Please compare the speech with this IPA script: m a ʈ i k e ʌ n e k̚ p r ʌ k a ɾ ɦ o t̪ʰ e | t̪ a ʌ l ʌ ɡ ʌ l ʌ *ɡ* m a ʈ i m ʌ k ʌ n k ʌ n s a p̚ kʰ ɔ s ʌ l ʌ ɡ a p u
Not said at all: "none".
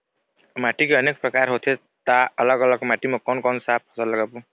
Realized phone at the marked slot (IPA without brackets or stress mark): ɡ